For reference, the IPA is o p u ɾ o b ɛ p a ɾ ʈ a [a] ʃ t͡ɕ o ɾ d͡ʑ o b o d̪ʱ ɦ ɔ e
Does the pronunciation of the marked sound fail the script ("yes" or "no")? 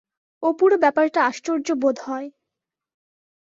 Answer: no